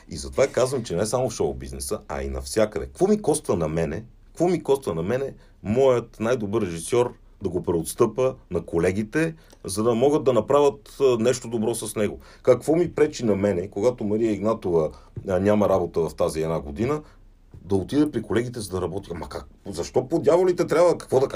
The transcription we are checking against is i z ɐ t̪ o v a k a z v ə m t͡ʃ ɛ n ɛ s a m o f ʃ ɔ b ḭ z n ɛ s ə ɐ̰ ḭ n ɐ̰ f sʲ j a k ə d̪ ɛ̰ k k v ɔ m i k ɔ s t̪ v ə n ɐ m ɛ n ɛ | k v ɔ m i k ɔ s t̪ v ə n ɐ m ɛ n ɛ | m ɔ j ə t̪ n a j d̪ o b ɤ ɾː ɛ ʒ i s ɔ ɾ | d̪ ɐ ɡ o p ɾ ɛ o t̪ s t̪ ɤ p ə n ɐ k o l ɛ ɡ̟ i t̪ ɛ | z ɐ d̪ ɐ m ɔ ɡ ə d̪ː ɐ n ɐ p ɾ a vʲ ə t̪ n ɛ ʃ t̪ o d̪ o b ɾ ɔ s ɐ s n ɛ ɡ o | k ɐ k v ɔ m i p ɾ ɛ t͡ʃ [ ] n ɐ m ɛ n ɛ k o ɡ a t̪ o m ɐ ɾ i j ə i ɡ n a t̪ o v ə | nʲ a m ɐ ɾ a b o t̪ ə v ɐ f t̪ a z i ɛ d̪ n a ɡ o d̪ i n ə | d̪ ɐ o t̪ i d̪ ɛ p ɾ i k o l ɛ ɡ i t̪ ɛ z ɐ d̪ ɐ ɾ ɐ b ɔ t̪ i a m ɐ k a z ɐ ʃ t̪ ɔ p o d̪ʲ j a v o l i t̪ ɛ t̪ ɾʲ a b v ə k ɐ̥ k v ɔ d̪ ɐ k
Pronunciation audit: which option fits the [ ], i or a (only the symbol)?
i